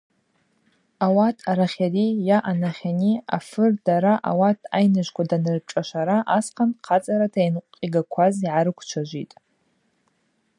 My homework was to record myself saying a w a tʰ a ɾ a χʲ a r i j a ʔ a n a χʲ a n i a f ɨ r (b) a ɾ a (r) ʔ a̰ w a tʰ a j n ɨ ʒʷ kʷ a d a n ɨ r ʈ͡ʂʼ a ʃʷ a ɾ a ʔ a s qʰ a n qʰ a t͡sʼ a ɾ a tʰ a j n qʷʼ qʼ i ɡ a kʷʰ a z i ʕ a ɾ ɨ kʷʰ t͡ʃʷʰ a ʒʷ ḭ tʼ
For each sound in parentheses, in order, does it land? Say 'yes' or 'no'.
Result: no, no

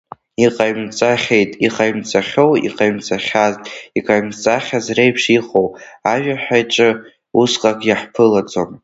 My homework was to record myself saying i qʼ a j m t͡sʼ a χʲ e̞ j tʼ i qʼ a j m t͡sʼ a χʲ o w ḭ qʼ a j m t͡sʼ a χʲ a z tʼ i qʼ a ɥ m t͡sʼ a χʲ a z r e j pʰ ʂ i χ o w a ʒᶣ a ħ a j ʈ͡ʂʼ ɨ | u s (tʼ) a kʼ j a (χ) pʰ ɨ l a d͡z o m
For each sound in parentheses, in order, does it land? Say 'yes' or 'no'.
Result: no, no

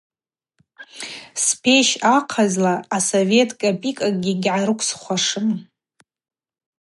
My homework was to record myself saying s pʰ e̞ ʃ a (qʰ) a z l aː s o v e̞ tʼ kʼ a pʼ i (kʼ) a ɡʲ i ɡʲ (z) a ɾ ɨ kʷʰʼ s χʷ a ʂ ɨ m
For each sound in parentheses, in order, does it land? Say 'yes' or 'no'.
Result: yes, yes, no

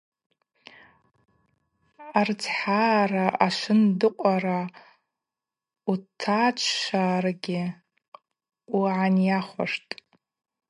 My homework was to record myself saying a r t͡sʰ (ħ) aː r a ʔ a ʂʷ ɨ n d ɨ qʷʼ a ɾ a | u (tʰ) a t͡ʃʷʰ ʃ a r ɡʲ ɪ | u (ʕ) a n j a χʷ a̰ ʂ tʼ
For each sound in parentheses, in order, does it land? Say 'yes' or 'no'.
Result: yes, yes, yes

